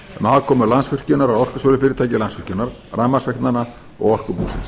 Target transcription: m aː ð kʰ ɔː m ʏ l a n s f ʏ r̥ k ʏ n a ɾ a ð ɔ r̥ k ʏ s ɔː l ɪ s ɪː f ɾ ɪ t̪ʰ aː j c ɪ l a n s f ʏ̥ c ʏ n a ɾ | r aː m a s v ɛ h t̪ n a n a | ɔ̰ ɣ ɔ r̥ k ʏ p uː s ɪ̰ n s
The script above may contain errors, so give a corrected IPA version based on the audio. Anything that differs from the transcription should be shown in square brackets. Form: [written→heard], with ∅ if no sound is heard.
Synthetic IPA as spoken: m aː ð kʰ ɔː m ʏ l a n s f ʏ r̥ [k→c] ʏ n a ɾ a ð ɔ r̥ k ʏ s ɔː l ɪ [s→f] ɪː [f→∅] ɾ ɪ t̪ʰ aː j c ɪ l a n s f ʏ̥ c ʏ n a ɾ | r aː m a s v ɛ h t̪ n a n a | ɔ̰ ɣ ɔ r̥ k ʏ p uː s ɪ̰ n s

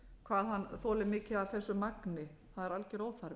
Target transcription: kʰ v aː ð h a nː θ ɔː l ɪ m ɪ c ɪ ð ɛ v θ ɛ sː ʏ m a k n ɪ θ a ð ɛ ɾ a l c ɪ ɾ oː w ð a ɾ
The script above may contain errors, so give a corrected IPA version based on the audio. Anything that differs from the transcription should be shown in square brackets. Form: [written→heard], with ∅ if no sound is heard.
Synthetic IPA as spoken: kʰ v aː ð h a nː θ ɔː l ɪ m [ɪ→ɪː] c ɪ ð [ɛ→a] v θ ɛ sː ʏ m a k n ɪ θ a ð ɛ ɾ a l c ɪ ɾ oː w [ð→θ] a ɾ

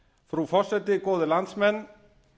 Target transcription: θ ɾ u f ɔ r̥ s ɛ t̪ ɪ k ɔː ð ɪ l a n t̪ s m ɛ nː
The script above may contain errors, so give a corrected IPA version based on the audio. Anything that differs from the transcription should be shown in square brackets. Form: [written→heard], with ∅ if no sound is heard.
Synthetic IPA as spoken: [θ→f] ɾ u f ɔ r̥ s ɛ t̪ ɪ k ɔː ð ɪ l a n t̪ s m ɛ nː

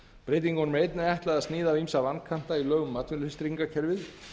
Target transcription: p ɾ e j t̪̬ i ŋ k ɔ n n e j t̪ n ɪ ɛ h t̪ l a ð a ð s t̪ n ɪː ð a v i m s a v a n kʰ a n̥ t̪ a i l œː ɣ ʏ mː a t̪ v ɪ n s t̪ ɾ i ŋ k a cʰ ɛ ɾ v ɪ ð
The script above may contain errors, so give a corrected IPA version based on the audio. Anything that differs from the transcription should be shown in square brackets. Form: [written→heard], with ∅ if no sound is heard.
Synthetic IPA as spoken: p ɾ e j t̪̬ i ŋ k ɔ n [n→m] e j t̪ n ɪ ɛ h t̪ l a ð a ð s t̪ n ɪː ð a v i m s a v a n kʰ a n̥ t̪ a i l œː ɣ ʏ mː a t̪ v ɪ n s t̪ ɾ i ŋ k a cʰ ɛ ɾ v ɪ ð

